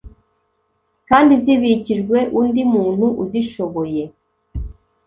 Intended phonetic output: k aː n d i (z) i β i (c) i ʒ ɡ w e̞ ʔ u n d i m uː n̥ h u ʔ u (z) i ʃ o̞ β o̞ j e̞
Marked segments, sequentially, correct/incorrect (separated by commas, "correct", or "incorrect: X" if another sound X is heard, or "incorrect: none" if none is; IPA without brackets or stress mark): correct, correct, correct